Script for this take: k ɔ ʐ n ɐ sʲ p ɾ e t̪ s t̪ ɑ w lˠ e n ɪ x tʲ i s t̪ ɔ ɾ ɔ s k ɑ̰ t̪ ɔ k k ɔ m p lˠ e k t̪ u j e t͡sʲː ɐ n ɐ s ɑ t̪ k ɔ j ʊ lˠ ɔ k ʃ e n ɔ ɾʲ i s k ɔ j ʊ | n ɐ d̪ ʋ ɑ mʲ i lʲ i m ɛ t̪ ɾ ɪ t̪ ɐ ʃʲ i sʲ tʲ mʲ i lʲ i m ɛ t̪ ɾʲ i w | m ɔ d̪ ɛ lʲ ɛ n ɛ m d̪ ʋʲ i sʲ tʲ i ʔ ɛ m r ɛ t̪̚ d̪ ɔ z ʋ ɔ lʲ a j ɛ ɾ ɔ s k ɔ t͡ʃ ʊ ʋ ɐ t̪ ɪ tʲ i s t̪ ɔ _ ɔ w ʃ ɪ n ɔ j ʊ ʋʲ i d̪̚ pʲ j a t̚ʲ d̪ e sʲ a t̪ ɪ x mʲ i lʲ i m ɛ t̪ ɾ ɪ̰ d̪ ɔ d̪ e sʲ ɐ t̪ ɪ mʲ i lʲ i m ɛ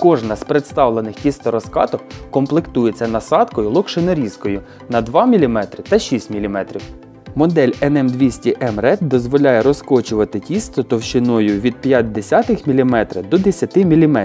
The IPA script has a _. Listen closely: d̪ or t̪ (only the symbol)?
t̪